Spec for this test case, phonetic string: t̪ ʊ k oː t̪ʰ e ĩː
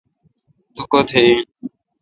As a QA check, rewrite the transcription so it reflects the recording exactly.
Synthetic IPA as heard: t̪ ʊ k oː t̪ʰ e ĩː

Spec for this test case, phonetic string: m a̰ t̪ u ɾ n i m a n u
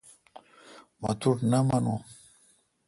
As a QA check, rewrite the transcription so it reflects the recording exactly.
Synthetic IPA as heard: m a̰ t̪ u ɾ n a m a n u

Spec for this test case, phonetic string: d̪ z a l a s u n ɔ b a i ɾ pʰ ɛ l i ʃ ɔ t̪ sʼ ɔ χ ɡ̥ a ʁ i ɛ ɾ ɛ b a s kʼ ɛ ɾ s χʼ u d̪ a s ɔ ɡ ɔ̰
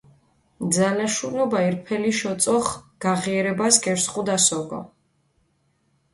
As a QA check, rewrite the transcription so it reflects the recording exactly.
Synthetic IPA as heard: d̪ z a l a ʃ u n ɔ b a i ɾ pʰ ɛ l i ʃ ɔ t̪ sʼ ɔ χ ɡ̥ a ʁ i ɛ ɾ ɛ b a s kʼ ɛ ɾ s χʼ u d̪ a s ɔ ɡ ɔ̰

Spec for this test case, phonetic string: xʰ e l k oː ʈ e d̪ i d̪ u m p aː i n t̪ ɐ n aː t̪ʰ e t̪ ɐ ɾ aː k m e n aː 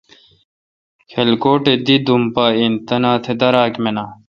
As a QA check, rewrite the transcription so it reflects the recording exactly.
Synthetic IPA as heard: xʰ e l k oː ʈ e d̪ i d̪ u m p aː i n t̪ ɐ n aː t̪ʰ e d̪ ɐ ɾ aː k m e n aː

